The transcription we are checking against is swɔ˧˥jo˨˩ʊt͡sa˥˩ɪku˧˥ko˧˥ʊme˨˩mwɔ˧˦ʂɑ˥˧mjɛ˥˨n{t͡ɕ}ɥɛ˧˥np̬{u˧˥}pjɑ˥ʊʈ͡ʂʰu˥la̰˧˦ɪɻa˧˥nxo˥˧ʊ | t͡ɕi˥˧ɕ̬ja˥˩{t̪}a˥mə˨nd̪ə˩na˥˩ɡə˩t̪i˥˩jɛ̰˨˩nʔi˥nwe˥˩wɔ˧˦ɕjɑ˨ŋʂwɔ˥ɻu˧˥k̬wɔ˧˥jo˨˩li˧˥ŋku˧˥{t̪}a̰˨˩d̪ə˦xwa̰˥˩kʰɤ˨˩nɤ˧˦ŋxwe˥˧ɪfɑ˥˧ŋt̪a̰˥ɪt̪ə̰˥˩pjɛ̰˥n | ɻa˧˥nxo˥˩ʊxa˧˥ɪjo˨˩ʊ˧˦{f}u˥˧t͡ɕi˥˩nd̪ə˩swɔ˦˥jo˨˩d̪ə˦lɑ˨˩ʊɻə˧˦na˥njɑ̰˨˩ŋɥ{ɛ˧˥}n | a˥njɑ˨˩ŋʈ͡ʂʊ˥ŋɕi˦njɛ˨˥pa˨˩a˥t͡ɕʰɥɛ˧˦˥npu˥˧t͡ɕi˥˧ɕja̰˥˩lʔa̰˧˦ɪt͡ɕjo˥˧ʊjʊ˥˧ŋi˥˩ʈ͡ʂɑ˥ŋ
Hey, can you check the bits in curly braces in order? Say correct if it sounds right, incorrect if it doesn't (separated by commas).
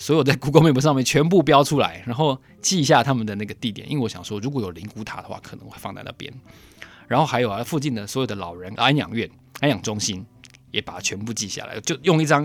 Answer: incorrect, incorrect, incorrect, incorrect, correct, incorrect